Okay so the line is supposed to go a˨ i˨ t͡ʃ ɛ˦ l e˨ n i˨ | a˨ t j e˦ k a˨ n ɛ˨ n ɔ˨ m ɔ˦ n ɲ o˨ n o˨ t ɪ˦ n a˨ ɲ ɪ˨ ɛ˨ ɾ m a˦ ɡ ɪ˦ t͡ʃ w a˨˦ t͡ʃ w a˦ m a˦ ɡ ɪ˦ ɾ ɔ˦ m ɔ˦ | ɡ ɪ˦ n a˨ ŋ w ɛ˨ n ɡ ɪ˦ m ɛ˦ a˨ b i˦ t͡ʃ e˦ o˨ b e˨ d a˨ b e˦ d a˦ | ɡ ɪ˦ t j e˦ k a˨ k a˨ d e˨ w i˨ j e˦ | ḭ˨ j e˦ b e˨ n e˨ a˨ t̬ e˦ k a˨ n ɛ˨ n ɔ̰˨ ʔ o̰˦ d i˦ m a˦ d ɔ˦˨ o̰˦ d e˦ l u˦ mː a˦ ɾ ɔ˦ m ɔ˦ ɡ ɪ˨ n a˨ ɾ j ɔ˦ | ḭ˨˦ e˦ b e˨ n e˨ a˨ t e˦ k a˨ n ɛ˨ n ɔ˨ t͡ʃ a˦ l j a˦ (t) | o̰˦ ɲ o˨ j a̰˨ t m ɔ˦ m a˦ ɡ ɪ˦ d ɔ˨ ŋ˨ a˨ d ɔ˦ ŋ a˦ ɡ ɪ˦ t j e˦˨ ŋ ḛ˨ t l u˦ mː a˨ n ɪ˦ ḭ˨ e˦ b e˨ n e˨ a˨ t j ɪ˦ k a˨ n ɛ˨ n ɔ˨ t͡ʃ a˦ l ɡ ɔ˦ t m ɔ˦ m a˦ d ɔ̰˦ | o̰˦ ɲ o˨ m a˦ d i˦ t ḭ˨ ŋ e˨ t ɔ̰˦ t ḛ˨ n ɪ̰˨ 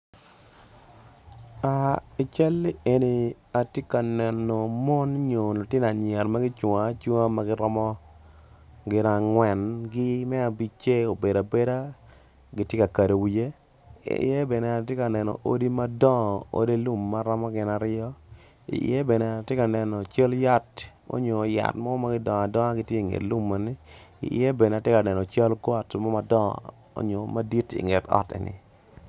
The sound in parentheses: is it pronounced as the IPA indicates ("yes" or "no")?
yes